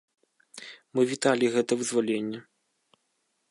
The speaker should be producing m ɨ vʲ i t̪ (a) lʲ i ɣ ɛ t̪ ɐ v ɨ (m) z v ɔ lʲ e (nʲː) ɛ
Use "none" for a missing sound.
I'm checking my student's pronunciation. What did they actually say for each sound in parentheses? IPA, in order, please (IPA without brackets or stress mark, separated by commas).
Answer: a, none, nʲː